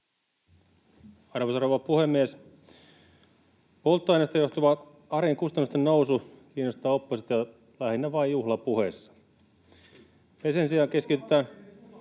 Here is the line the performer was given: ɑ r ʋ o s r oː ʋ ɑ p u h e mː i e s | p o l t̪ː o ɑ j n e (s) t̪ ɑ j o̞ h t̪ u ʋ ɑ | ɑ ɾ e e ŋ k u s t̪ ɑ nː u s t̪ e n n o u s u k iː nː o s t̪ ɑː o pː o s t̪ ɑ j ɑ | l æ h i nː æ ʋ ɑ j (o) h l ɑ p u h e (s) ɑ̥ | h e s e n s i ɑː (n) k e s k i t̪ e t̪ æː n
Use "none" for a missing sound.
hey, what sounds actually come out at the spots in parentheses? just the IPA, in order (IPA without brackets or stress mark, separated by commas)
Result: s, u, sː, ŋ